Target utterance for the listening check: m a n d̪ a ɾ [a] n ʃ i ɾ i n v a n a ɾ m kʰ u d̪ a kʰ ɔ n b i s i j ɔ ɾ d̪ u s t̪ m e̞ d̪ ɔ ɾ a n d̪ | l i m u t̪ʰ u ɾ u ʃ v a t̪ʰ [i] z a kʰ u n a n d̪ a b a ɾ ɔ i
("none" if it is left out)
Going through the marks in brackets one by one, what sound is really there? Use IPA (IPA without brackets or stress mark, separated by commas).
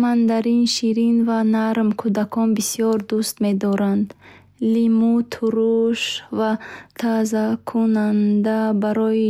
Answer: i, a